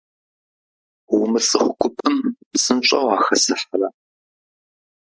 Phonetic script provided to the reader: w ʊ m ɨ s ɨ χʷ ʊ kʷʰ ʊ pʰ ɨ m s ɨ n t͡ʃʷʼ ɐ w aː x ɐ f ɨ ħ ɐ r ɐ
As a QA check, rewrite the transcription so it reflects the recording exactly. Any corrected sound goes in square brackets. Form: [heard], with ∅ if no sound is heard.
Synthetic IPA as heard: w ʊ m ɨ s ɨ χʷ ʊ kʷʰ ʊ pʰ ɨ m s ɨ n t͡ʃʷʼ ɐ w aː x ɐ [s] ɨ ħ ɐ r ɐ